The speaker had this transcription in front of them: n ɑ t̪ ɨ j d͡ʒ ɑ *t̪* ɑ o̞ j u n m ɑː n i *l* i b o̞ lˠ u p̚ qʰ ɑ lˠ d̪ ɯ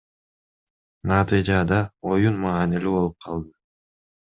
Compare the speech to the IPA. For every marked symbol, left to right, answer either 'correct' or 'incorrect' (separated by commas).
incorrect, correct